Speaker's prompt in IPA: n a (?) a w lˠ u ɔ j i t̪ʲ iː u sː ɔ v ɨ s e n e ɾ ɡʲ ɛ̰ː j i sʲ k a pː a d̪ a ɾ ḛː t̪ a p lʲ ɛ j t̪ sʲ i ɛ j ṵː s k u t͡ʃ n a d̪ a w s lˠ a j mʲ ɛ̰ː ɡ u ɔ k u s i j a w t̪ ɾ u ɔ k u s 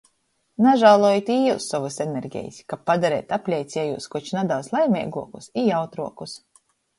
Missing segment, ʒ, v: ʒ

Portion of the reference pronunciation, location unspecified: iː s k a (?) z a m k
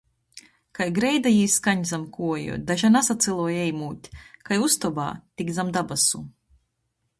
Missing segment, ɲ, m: ɲ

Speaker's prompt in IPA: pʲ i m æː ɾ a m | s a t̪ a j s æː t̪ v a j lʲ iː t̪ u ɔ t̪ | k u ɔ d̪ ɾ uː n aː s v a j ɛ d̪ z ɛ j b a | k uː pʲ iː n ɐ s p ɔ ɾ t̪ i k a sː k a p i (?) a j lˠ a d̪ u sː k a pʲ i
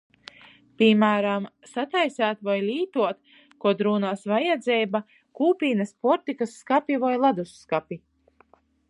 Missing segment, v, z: v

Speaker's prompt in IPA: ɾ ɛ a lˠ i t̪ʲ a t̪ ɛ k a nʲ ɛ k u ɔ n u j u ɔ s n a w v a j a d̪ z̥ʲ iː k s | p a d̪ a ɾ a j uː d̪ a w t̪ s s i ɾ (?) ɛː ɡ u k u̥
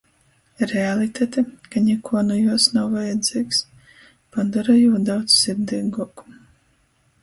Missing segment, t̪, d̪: d̪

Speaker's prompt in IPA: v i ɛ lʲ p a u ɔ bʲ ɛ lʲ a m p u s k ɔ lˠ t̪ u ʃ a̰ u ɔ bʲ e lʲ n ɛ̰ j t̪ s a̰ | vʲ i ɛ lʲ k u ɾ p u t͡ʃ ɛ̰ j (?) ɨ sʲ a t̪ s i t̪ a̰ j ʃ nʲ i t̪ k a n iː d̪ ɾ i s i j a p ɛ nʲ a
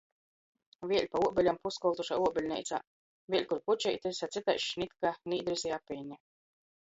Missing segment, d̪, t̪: t̪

